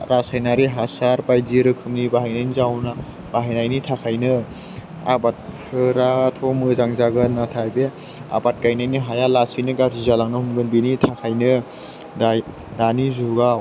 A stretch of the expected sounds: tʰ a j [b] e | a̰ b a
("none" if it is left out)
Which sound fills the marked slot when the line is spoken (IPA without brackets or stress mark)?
b